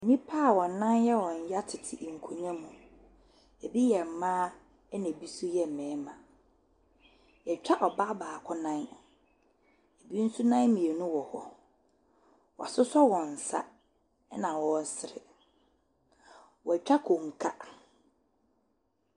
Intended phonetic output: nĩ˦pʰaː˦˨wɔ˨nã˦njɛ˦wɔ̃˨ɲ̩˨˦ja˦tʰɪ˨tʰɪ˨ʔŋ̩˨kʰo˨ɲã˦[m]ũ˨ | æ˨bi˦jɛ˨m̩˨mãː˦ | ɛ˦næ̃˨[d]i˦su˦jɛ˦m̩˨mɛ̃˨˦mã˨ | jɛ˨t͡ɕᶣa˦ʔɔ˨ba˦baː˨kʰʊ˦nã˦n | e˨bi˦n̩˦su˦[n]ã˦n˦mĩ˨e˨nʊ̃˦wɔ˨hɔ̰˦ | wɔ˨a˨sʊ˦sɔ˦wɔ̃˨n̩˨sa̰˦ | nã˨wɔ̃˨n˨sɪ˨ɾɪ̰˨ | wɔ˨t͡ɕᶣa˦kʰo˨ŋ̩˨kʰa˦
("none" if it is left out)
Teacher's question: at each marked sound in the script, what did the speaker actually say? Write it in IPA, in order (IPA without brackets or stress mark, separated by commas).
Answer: m, b, n